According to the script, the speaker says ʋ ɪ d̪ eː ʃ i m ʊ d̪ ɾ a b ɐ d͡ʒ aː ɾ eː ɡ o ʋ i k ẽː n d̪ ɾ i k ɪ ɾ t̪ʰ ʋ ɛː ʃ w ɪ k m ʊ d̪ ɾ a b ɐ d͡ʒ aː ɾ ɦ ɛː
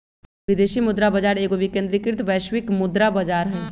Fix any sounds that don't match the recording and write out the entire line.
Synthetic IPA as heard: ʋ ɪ d̪ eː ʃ i m ʊ d̪ ɾ a b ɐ d͡ʒ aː ɾ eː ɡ o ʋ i k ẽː n d̪ ɾ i k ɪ ɾ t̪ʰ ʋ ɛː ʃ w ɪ k m ʊ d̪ ɾ a b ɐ d͡ʒ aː ɾ ɦ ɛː